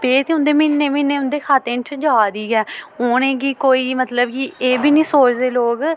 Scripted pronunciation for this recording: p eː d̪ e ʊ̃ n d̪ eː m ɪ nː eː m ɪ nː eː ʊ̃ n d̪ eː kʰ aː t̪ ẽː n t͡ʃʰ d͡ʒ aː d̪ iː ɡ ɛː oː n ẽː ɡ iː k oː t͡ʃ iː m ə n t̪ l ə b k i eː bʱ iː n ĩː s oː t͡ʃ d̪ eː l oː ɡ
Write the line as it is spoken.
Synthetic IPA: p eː t̪ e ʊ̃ n d̪ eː m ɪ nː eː m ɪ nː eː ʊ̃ n d̪ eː kʰ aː t̪ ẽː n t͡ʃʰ d͡ʒ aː d̪ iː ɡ ɛː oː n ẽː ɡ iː k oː iː m ə t̪ l ə b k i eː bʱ iː n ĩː s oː t͡ʃ d̪ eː l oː ɡ